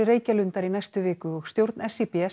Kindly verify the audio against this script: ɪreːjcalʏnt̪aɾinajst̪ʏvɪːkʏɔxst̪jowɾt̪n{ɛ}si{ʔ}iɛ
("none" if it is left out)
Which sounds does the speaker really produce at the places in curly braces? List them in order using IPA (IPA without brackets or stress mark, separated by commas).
ɛ, p